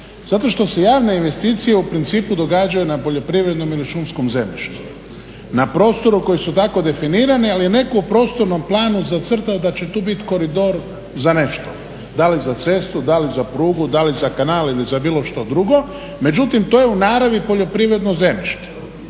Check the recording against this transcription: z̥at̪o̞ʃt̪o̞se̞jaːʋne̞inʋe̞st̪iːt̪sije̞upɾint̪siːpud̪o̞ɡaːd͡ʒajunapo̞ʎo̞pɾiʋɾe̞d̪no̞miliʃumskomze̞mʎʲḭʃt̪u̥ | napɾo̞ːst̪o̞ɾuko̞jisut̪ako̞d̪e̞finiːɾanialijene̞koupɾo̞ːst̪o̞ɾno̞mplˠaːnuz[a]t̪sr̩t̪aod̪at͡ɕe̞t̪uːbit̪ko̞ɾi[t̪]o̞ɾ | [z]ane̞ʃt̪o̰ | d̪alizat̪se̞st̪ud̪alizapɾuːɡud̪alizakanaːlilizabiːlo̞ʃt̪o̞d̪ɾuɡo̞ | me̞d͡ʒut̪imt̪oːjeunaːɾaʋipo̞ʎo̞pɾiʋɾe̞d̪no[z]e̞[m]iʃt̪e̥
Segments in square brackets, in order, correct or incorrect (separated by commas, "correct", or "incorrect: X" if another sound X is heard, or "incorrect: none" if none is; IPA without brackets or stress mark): correct, incorrect: d̪, correct, correct, correct